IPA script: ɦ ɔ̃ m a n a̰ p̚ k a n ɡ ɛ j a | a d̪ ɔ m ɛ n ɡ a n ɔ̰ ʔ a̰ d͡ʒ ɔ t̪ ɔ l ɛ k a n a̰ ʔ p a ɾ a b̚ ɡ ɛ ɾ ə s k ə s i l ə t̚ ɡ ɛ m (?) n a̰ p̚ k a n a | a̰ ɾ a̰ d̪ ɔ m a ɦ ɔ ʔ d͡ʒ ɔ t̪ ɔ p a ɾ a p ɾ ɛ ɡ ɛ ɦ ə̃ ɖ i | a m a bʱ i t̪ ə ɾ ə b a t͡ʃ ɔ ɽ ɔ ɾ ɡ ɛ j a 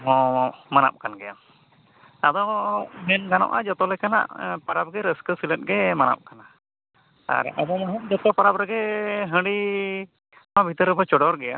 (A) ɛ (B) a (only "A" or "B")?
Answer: B